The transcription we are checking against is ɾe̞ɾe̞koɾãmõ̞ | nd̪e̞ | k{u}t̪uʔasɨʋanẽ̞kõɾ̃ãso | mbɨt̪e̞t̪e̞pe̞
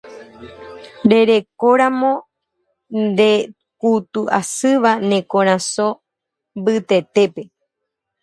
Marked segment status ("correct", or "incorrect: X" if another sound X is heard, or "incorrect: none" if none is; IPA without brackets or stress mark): correct